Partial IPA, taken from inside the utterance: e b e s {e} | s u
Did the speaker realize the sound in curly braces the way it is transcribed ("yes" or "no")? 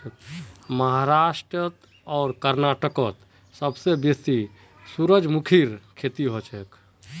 no